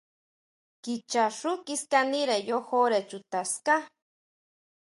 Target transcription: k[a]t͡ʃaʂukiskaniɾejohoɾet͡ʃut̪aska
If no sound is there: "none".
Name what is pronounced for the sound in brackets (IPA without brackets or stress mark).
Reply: i